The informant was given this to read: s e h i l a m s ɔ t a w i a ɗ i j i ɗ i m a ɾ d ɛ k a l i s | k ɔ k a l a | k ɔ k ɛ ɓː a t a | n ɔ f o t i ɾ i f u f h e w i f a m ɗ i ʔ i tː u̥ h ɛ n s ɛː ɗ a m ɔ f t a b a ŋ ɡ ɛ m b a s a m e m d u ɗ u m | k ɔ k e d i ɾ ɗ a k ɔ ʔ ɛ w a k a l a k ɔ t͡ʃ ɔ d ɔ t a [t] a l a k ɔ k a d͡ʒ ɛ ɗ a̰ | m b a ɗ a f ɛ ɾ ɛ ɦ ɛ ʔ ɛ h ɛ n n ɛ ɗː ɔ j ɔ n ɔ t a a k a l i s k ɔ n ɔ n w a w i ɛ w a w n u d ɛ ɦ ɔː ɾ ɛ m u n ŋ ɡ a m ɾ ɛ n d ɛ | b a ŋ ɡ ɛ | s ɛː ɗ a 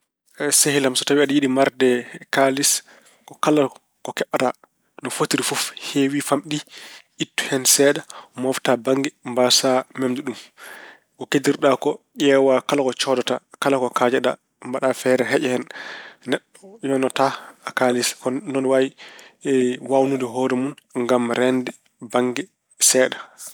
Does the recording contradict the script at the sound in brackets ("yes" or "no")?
yes